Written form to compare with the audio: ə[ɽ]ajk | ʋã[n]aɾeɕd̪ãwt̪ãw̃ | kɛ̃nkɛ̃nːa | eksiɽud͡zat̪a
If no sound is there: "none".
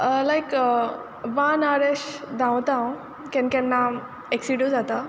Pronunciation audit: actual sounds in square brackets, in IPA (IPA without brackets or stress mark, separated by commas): l, n